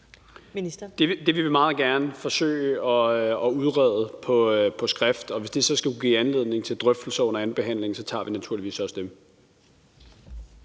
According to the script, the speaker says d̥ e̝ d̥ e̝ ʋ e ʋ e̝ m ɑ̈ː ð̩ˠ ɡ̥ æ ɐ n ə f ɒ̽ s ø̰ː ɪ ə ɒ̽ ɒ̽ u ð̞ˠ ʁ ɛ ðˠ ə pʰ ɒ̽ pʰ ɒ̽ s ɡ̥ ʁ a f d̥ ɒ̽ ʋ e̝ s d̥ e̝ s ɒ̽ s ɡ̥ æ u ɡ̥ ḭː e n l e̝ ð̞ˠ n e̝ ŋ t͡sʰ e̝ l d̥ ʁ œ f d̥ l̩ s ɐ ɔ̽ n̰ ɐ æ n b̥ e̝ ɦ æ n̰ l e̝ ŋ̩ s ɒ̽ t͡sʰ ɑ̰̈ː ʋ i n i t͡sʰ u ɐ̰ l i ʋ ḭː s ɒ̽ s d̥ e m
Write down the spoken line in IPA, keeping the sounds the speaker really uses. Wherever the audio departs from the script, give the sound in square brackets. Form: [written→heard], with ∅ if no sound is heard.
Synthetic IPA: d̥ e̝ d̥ e̝ ʋ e ʋ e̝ m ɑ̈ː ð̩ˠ ɡ̥ æ ɐ n ə f ɒ̽ s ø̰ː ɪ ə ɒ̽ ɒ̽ u ð̞ˠ ʁ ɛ ðˠ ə pʰ ɒ̽ pʰ ɒ̽ s ɡ̥ ʁ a f d̥ ɒ̽ ʋ e̝ s d̥ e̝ s ɒ̽ s ɡ̥ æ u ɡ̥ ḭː [e→æ] n l e̝ ð̞ˠ n e̝ ŋ t͡sʰ e̝ l d̥ ʁ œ f d̥ l̩ s ɐ ɔ̽ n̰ ɐ æ n b̥ e̝ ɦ æ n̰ l e̝ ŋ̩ s ɒ̽ t͡sʰ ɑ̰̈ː ʋ i n [i→æ] t͡sʰ u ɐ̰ l i ʋ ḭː s ɒ̽ s d̥ e m